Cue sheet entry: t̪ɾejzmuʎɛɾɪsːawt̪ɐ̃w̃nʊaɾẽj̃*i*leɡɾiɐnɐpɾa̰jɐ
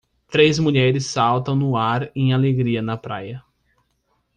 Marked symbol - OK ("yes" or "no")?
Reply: no